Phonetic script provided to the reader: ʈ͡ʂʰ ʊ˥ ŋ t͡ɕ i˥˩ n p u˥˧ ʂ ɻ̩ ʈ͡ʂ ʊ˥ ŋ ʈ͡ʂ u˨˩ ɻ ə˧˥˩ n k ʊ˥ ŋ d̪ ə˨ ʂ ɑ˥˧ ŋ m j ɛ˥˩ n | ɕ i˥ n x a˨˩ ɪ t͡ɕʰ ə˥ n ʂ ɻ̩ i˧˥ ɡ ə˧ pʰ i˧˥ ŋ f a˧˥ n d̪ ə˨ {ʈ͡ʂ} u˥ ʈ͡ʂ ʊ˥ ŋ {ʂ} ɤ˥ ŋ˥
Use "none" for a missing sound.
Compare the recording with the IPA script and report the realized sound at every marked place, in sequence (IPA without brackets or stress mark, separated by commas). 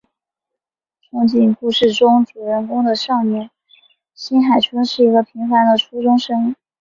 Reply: ʈ͡ʂʰ, ʂ